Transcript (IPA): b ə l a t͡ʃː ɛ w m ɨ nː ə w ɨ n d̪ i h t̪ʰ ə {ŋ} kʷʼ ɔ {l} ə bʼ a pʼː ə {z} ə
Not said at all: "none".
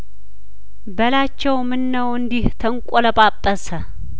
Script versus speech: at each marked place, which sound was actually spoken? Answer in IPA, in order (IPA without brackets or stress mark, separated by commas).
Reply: ŋ, l, s